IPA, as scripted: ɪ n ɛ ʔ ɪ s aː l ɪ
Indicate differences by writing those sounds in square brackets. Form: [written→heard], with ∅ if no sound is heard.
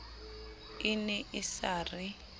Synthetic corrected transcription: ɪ n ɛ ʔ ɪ s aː [l→r] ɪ